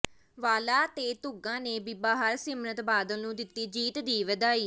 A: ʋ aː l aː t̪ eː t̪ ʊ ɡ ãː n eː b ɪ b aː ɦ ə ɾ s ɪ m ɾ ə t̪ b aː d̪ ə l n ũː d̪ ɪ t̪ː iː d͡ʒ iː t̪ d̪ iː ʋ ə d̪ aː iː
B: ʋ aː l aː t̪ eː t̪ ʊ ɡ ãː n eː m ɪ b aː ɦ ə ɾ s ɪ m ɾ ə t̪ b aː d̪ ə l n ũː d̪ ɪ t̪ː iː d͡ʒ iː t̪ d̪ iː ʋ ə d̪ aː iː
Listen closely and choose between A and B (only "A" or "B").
A